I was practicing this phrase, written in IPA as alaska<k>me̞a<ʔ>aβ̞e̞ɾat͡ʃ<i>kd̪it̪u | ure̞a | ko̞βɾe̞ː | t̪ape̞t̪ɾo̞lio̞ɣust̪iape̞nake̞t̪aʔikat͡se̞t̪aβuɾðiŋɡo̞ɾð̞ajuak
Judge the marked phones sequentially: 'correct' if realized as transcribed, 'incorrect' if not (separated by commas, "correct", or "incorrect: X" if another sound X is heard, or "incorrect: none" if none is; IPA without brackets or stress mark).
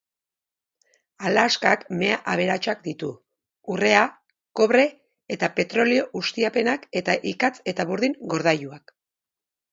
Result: correct, correct, incorrect: a